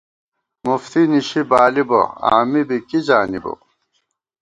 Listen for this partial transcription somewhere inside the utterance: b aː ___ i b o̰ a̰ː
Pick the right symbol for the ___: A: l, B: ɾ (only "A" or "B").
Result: A